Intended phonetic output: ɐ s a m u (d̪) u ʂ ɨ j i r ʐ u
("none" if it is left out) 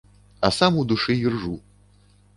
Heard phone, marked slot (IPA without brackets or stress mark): d̪